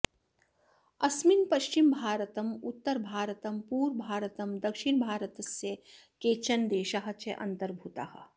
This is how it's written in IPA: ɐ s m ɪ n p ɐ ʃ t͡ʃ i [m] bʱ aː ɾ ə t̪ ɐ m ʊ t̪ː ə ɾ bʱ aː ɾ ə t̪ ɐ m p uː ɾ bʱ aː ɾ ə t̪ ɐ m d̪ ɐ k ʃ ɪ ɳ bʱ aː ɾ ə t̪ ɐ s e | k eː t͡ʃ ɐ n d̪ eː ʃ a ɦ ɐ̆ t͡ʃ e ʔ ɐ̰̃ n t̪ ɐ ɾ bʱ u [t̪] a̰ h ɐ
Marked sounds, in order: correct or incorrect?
correct, correct

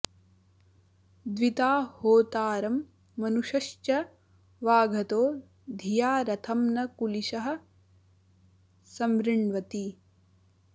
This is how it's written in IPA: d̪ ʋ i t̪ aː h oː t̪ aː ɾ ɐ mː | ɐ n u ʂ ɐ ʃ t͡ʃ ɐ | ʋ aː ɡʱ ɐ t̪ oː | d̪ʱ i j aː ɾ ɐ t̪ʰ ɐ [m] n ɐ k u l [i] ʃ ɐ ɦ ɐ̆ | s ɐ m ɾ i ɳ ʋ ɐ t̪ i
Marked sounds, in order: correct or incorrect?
correct, correct

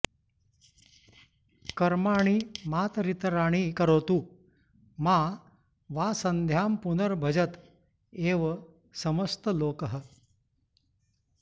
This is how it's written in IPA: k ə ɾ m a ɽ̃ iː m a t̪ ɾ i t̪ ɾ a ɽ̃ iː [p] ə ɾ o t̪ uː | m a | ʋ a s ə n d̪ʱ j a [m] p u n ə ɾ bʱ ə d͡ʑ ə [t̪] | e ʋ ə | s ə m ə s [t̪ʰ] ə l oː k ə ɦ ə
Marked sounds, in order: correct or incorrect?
incorrect, correct, correct, incorrect

